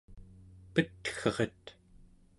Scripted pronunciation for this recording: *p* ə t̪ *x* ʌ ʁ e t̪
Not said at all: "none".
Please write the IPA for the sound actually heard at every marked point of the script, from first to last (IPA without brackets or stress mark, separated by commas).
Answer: p, x